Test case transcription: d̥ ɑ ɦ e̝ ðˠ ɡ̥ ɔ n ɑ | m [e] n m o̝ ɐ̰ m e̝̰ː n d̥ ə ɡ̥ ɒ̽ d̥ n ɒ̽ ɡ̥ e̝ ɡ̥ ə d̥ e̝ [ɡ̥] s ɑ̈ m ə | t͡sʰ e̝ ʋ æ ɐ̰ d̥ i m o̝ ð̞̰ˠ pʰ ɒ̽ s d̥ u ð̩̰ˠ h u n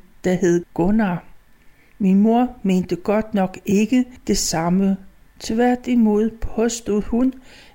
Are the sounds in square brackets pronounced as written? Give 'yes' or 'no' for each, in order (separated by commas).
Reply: no, no